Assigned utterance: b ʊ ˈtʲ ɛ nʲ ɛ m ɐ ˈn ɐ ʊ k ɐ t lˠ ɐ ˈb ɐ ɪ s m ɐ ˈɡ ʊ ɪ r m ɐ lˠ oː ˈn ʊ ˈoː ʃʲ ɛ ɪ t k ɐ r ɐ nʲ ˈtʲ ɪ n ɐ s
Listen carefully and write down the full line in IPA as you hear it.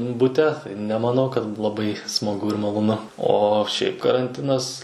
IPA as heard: b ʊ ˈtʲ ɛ nʲ ɛ m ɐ ˈn ɐ ʊ k ɐ t lˠ ɐ ˈb ɐ ɪ s m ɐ ˈɡ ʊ ɪ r m ɐ lˠ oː ˈn ʊ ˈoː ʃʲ ɛ ɪ p k ɐ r ɐ nʲ ˈtʲ ɪ n ɐ s

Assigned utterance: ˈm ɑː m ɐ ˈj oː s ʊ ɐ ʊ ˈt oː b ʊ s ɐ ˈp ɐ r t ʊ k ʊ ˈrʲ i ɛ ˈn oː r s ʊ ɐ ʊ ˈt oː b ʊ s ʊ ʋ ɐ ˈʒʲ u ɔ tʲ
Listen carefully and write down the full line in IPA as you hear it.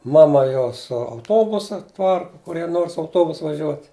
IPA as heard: ˈm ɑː m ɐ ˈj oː s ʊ ɐ ʊ ˈt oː b ʊ s ɐ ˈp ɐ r k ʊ k ʊ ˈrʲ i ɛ ˈn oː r s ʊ ɐ ʊ ˈt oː b ʊ s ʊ ʋ ɐ ˈʒʲ u ɔ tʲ

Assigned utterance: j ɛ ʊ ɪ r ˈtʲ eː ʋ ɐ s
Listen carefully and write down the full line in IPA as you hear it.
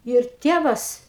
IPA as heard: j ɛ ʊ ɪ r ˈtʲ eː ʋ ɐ s

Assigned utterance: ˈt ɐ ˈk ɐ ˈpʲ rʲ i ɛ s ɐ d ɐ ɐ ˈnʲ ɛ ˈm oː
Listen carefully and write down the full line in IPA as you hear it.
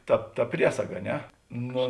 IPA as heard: ˈt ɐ ˈt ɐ ˈpʲ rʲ i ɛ s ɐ ɡ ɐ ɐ ˈnʲ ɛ ˈn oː

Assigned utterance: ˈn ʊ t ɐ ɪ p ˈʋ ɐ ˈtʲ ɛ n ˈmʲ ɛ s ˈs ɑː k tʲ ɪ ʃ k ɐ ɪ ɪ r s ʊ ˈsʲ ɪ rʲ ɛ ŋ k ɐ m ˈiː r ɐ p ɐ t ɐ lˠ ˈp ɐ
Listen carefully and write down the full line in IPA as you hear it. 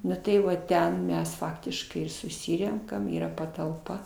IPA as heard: ˈn ʊ t ɐ ɪ ˈʋ ɐ ˈtʲ ɛ n ˈmʲ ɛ s ˈf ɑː k tʲ ɪ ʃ k ɐ ɪ ɪ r s ʊ ˈsʲ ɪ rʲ ɛ ŋ k ɐ m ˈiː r ɐ p ɐ t ɐ lˠ ˈp ɐ

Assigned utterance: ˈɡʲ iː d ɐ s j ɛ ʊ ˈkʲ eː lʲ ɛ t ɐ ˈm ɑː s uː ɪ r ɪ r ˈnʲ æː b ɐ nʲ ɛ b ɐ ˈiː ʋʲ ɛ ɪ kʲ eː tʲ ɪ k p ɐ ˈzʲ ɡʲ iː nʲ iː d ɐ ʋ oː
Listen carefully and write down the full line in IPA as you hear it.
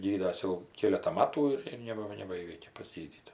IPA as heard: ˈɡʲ iː d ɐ s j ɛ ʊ ˈkʲ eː lʲ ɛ t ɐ ˈm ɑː t uː ɪ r ɪ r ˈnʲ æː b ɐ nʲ ɛ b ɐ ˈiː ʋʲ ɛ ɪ kʲ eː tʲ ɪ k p ɐ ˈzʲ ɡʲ iː dʲ iː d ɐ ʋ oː

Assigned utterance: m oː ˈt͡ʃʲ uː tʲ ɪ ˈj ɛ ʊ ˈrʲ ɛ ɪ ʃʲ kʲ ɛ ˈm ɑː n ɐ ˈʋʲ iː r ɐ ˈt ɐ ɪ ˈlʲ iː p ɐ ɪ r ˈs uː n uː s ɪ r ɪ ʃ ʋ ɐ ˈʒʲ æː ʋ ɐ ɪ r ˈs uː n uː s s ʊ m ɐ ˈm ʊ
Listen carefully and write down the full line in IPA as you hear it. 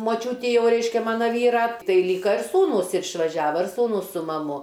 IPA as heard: m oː ˈt͡ʃʲ uː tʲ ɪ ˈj ɛ ʊ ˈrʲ ɛ ɪ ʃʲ kʲ ɛ ˈm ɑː n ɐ ˈʋʲ iː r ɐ ˈt ɐ ɪ ˈlʲ iː k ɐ ɪ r ˈs uː n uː s ɪ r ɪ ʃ ʋ ɐ ˈʒʲ æː ʋ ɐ ɪ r ˈs uː n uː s s ʊ m ɐ ˈm ʊ

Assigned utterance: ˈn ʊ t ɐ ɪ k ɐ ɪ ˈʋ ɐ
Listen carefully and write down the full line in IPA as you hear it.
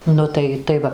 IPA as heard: ˈn ʊ t ɐ ɪ t ɐ ɪ ˈʋ ɐ

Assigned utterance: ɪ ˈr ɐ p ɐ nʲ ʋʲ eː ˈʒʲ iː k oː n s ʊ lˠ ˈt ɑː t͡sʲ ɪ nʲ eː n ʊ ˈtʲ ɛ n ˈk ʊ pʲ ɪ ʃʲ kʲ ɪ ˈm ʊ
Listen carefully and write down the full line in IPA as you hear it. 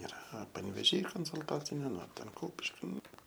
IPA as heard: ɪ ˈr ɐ p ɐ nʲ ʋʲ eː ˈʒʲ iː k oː n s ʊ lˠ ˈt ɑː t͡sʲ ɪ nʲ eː n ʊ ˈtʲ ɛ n ˈk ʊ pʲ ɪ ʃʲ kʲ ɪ ˈn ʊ

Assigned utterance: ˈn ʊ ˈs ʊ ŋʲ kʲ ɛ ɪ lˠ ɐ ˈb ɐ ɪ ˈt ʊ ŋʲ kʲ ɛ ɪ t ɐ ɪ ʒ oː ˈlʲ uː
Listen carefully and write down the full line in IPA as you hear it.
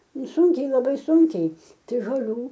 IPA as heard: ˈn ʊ ˈs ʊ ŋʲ kʲ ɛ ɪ lˠ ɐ ˈb ɐ ɪ ˈs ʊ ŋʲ kʲ ɛ ɪ t ɐ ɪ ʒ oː ˈlʲ uː

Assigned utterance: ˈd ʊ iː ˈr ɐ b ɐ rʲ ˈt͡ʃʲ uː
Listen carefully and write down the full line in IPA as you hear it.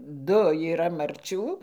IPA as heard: ˈd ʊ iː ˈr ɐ m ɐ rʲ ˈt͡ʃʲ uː

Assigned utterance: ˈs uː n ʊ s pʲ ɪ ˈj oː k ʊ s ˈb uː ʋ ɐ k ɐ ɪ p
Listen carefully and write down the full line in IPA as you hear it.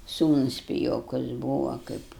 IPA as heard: ˈs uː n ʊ s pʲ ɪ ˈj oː k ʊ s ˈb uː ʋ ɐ k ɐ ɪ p

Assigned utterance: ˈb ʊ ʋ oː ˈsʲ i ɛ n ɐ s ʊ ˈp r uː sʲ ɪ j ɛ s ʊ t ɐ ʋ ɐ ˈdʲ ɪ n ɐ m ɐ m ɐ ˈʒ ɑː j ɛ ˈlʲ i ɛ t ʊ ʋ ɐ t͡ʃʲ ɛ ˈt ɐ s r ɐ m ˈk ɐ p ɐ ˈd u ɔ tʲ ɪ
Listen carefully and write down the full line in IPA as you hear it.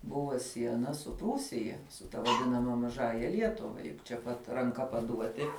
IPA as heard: ˈb ʊ ʋ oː ˈsʲ i ɛ n ɐ s ʊ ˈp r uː sʲ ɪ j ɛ s ʊ t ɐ ʋ ɐ ˈdʲ ɪ n ɐ m ɐ m ɐ ˈʒ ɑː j ɛ ˈlʲ i ɛ t ʊ ʋ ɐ t͡ʃʲ ɛ ˈp ɐ t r ɐ ŋ ˈk ɐ p ɐ ˈd u ɔ tʲ ɪ

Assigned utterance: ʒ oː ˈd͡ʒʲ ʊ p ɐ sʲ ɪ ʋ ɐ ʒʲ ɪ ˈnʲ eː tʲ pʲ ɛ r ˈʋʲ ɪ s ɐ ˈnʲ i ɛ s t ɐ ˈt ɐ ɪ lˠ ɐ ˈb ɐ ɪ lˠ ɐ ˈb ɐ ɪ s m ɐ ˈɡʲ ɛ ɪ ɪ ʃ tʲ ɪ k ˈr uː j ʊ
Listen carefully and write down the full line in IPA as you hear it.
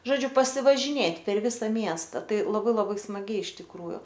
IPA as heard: ʒ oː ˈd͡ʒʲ ʊ p ɐ sʲ ɪ ʋ ɐ ʒʲ ɪ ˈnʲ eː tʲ pʲ ɛ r ˈʋʲ ɪ s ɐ ˈmʲ i ɛ s t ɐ ˈt ɐ ɪ lˠ ɐ ˈb ɐ ɪ lˠ ɐ ˈb ɐ ɪ s m ɐ ˈɡʲ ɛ ɪ ɪ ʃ tʲ ɪ k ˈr uː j ʊ

